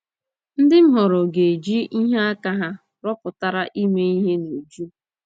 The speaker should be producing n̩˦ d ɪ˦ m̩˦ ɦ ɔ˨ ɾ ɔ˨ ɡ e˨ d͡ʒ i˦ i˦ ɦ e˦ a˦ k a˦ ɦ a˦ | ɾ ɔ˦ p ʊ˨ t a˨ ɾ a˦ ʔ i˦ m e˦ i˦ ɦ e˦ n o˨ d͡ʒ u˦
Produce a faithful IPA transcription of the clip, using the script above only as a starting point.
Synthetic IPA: n̩˦ d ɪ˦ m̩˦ ɦ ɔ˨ ɾ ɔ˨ ɡ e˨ d͡ʒ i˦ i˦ ɦ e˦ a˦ k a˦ ɦ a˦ | ɾ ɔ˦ p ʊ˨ t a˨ ɾ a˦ ʔ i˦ m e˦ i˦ ɦ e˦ n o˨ d͡ʒ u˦